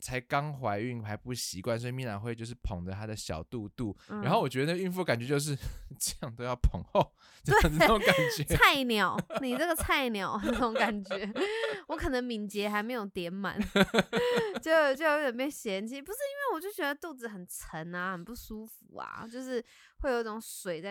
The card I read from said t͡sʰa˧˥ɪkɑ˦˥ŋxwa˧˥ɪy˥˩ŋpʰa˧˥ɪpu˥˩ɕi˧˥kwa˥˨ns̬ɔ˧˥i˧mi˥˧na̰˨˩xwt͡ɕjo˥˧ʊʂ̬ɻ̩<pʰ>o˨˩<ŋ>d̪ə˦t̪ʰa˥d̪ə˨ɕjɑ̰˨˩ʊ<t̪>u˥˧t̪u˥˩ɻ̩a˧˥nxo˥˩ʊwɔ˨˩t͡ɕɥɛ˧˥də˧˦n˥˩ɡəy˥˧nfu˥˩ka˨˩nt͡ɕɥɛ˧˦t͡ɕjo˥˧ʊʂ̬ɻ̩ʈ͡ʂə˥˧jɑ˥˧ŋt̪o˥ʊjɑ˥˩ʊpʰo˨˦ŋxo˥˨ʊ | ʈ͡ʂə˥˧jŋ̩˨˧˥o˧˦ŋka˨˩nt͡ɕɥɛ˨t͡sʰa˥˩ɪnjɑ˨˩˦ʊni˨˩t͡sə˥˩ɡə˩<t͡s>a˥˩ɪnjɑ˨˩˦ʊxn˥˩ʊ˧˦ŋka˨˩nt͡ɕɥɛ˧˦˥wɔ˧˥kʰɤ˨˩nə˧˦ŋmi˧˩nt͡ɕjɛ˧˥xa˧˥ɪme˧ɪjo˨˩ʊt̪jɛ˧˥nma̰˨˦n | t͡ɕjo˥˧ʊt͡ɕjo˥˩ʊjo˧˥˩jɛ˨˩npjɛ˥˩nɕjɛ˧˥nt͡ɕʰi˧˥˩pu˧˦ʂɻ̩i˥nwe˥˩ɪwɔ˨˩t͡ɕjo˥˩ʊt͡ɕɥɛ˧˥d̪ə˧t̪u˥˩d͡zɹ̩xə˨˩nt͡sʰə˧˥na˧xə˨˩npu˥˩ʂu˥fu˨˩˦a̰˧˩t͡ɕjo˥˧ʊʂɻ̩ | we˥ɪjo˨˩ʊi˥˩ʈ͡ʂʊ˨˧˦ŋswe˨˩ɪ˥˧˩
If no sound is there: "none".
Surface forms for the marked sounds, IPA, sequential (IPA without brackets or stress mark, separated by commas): pʰ, ŋ, t̪, t͡sʰ